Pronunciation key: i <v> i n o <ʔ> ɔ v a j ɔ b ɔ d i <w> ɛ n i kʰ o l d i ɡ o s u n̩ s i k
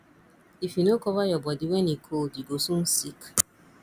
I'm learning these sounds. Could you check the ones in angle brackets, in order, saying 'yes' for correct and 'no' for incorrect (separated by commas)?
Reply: no, no, yes